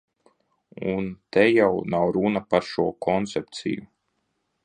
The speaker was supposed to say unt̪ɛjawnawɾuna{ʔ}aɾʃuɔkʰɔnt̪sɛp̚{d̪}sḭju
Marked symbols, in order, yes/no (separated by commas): no, no